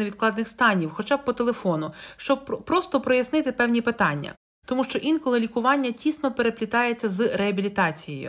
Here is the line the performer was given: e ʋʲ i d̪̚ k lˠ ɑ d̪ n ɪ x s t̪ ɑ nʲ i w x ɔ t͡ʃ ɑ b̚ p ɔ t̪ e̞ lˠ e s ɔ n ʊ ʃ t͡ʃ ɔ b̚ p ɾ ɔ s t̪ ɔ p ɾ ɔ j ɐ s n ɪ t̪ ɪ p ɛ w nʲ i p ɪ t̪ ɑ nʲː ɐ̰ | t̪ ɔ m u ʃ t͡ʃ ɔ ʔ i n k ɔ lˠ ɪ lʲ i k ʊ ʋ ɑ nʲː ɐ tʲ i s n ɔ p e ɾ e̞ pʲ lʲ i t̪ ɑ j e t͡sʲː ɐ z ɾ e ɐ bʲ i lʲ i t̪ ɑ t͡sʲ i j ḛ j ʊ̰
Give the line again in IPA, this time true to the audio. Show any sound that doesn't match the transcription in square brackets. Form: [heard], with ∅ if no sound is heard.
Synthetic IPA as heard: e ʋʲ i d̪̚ k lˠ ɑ d̪ n ɪ x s t̪ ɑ nʲ i w x ɔ t͡ʃ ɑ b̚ p ɔ t̪ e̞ lˠ e [f] ɔ n ʊ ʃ t͡ʃ ɔ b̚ p ɾ ɔ s t̪ ɔ p ɾ ɔ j ɐ s n ɪ t̪ ɪ p ɛ w nʲ i p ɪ t̪ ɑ nʲː ɐ̰ | t̪ ɔ m u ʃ t͡ʃ ɔ ʔ i n k ɔ lˠ ɪ lʲ i k ʊ ʋ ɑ nʲː ɐ tʲ i s n ɔ p e ɾ e̞ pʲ lʲ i t̪ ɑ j e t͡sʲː ɐ z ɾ e ɐ bʲ i lʲ i t̪ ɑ t͡sʲ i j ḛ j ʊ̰